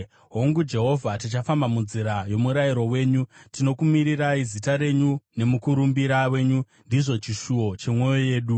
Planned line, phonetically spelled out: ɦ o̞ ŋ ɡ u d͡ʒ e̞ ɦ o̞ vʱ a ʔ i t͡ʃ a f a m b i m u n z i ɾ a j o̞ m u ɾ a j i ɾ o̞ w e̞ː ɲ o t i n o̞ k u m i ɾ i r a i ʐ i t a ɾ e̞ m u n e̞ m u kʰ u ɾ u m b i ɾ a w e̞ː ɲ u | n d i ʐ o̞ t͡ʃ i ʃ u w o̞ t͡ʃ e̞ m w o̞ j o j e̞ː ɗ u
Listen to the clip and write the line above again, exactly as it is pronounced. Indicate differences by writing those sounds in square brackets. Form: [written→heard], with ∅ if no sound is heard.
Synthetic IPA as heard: ɦ o̞ ŋ ɡ u d͡ʒ e̞ ɦ o̞ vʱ a [ʔ→t] i t͡ʃ a f a m b [i→a] m u n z i ɾ a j o̞ m u ɾ a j i ɾ o̞ w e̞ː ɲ [o→u] t i n o̞ k u m i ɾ i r a i [ʐ→z] i t a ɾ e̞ [m→ɲ] u n e̞ m u [kʰ→k] u ɾ u m b i ɾ a w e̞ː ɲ u | n d i ʐ o̞ t͡ʃ i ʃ u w o̞ t͡ʃ e̞ m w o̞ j o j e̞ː ɗ u